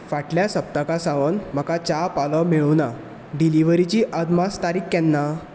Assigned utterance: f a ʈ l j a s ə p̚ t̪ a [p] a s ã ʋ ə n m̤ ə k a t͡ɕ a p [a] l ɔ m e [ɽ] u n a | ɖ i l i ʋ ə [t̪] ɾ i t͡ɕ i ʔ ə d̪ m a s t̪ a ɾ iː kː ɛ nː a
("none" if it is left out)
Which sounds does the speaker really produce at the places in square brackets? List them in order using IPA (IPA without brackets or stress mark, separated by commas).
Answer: k, a, ɭ, none